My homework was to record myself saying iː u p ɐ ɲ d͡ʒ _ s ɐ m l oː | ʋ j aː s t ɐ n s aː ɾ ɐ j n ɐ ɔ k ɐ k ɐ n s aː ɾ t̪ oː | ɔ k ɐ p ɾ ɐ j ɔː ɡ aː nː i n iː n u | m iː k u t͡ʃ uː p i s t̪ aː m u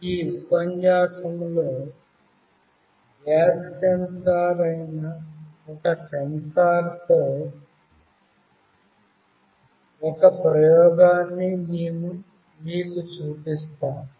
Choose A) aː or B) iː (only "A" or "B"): A